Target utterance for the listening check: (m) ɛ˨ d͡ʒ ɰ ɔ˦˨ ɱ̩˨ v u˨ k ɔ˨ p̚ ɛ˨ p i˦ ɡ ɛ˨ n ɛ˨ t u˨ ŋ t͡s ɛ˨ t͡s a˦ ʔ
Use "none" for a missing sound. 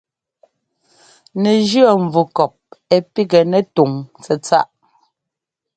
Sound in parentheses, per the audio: n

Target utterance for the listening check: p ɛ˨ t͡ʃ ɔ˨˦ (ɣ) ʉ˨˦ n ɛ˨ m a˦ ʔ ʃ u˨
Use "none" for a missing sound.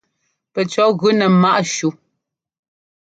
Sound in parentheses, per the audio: ɣ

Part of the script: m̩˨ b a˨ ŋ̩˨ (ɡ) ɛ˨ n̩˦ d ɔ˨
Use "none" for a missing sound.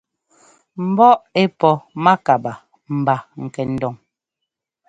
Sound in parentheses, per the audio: k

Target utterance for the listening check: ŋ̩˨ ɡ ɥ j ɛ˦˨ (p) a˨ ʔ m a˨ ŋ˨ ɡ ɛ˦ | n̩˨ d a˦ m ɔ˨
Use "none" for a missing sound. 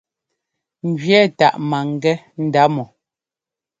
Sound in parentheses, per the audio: t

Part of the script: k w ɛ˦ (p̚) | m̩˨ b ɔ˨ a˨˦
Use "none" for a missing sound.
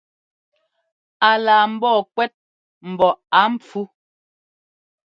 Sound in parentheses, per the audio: t̚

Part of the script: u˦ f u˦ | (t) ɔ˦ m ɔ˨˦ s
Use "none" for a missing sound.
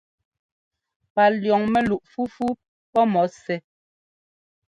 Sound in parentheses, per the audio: p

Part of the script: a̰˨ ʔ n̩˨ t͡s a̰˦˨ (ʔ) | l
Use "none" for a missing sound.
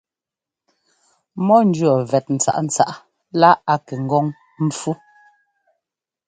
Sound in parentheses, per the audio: ʔ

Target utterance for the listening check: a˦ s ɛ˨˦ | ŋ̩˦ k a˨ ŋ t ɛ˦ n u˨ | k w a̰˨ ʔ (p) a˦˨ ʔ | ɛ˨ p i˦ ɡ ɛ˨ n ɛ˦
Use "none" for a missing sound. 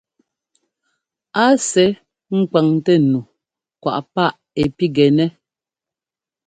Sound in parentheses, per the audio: p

